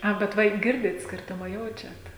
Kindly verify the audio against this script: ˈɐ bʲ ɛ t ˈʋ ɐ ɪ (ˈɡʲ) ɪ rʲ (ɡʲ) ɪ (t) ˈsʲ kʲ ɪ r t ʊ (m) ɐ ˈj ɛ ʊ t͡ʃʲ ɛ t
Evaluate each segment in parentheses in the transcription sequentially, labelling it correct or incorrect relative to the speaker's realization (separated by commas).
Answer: correct, incorrect, correct, correct